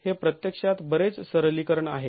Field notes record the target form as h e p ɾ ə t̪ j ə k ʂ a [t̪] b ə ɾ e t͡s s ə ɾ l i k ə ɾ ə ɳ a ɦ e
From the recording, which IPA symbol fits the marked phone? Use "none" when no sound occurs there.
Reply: t̪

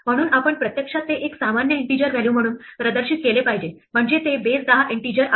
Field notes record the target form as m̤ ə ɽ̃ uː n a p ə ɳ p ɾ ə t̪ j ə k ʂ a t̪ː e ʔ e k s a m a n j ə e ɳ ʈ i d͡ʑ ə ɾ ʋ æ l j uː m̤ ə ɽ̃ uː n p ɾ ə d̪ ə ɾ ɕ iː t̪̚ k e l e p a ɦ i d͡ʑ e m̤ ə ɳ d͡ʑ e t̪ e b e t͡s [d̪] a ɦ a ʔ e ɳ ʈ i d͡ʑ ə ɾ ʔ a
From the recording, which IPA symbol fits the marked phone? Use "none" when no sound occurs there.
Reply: d̪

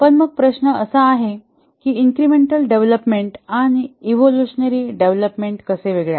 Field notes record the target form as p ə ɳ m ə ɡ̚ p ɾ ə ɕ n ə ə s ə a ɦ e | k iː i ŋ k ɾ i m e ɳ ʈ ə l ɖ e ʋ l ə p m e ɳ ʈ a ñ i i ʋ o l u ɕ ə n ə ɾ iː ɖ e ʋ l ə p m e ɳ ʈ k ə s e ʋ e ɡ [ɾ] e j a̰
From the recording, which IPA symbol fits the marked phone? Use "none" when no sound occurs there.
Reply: ɭ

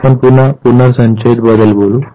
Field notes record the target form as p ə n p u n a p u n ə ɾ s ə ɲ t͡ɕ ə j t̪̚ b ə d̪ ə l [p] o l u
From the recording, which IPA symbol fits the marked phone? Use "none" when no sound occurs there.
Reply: b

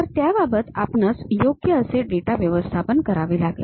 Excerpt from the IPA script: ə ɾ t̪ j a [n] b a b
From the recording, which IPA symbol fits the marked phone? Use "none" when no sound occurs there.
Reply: none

